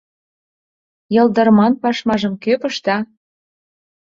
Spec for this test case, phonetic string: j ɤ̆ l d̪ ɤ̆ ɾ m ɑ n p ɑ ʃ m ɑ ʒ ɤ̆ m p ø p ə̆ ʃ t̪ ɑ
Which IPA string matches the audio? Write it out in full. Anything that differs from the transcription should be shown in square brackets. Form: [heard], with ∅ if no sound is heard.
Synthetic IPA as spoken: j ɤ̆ l d̪ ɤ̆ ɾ m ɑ n p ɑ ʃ m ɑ ʒ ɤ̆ m [k] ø p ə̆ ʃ t̪ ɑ